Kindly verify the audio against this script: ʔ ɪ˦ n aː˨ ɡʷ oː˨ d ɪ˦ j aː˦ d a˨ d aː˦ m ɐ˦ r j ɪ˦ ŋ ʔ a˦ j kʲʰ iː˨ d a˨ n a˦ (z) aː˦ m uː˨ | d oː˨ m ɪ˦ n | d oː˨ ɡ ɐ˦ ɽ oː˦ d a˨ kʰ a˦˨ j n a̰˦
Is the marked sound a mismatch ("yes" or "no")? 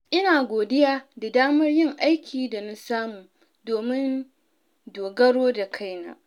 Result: yes